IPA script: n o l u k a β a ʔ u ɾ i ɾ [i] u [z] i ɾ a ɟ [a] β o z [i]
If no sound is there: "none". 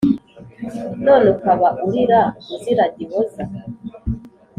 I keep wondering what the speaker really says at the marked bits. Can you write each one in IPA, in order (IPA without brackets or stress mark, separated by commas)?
a, z, i, a